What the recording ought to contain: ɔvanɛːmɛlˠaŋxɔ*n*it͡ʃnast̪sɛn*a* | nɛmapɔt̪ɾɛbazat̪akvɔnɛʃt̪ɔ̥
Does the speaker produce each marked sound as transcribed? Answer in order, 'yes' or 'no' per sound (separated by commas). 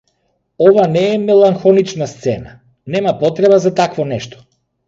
yes, yes